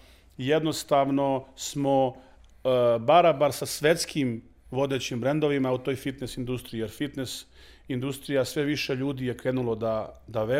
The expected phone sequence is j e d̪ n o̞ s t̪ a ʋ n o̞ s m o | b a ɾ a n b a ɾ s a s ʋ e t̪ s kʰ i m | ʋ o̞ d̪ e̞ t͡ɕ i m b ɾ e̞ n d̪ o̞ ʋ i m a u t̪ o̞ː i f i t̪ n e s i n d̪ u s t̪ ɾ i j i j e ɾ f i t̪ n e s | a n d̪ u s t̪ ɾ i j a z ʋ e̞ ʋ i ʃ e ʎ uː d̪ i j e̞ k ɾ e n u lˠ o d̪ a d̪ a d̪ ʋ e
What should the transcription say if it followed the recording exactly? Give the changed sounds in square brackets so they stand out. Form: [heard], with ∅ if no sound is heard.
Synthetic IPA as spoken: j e d̪ n o̞ s t̪ a ʋ n o̞ s m o | b a ɾ a [∅] b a ɾ s a s ʋ e t̪ s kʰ i m | ʋ o̞ d̪ e̞ t͡ɕ i m b ɾ e̞ n d̪ o̞ ʋ i m a u t̪ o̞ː [j] f i t̪ n e s i n d̪ u s t̪ ɾ i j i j e ɾ f i t̪ n e s | [i] n d̪ u s t̪ ɾ i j a [s] ʋ e̞ ʋ i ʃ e ʎ uː d̪ i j e̞ k ɾ e n u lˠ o d̪ a d̪ a [∅] ʋ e